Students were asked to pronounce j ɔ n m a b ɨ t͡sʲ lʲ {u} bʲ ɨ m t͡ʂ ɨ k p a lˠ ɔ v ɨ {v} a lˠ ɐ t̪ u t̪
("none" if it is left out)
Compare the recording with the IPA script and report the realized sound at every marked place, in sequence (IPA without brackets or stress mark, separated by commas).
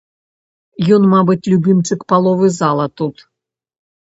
u, z